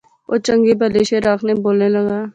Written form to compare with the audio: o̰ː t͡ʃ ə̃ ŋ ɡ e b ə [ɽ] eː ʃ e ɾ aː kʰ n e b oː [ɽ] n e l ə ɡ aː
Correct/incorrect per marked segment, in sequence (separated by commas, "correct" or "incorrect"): incorrect, incorrect